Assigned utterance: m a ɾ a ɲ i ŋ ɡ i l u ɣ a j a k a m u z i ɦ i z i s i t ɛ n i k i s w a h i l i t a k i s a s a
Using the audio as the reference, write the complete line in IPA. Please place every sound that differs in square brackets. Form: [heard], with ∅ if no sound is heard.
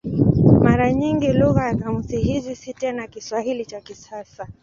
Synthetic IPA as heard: m a ɾ a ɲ i ŋ ɡ i l u ɣ a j a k a m u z i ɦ i z i s i t ɛ n [a] k i s w a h i l i [t͡ʃ] a k i s a s a